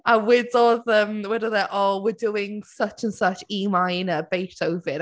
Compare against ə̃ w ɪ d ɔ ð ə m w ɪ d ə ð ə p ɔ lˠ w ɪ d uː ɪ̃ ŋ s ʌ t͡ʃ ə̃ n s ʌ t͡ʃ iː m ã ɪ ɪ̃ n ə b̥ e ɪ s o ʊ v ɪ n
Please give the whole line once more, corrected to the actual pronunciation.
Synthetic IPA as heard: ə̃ w ɪ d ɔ ð ə m w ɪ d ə ð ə ʔ ɔ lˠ w ɪ d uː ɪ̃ ŋ s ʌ t͡ʃ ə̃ n s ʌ t͡ʃ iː m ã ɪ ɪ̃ n ə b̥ e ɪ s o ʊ v ɪ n